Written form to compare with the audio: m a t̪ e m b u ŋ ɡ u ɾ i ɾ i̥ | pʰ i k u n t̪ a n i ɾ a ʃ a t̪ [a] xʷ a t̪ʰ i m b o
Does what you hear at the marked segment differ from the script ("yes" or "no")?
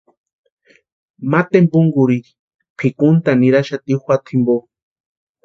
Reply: yes